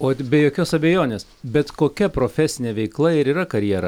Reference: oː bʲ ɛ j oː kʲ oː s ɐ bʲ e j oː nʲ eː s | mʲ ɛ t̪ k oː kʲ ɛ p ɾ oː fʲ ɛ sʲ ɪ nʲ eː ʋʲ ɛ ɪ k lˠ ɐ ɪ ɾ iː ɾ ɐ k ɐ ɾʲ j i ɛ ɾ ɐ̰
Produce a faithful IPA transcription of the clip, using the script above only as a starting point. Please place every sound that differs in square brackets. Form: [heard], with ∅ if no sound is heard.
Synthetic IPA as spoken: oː bʲ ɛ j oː kʲ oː s ɐ bʲ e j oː nʲ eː s | [bʲ] ɛ t̪ k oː kʲ ɛ p ɾ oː fʲ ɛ sʲ ɪ nʲ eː ʋʲ ɛ ɪ k lˠ ɐ ɪ ɾ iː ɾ ɐ k ɐ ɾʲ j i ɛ ɾ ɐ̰